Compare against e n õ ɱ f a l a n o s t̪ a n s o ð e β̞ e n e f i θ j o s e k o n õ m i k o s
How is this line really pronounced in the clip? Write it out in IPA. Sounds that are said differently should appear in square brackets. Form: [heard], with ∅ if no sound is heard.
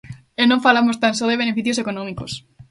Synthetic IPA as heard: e n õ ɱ f a l a [m] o s t̪ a n s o ð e β̞ e n e f i θ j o s e k o n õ m i k o s